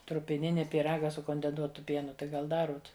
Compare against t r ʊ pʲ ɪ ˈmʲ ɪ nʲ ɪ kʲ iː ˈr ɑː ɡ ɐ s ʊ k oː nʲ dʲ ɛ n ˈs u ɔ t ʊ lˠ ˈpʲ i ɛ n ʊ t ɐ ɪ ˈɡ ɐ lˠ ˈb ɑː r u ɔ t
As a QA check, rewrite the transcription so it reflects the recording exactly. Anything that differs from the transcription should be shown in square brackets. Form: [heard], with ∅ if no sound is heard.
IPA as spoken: t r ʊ pʲ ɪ [ˈnʲ] ɪ nʲ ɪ [pʲ] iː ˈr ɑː ɡ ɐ s ʊ k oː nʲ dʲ ɛ n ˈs u ɔ t ʊ [∅] ˈpʲ i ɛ n ʊ t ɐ ɪ ˈɡ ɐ lˠ [ˈd] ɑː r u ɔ t